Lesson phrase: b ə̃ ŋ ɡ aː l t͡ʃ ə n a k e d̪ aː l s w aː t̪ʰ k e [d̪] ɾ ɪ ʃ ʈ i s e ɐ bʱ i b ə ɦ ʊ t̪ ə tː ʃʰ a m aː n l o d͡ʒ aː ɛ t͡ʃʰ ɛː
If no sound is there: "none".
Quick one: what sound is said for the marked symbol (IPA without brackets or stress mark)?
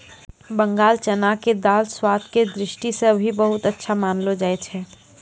d̪